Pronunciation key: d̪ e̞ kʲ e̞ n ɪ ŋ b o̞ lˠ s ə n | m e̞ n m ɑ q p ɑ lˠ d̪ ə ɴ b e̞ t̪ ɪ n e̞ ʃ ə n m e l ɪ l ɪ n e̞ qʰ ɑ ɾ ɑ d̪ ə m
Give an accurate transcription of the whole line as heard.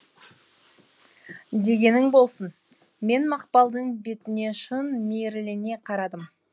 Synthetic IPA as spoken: d̪ e̞ ɡʲ e̞ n ɪ ŋ b o̞ lˠ s ə n | m e̞ n m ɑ q p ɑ lˠ d̪ ə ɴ b e̞ t̪ ɪ n e̞ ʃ ə n m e ɾ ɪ l ɪ n e̞ qʰ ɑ ɾ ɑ d̪ ə m